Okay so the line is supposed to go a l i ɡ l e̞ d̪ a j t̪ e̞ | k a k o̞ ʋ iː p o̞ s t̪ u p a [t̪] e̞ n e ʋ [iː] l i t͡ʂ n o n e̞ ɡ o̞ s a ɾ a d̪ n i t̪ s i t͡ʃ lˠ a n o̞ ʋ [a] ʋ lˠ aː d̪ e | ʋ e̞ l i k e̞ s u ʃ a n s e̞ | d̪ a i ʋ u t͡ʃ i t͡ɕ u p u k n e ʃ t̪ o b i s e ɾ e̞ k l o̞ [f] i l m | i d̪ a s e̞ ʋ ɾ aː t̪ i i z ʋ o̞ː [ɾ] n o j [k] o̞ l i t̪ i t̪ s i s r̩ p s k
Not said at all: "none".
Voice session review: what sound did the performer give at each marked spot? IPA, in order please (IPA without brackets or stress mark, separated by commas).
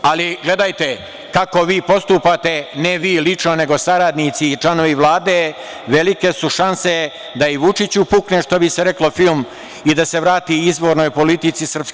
t̪, iː, i, f, ɾ, p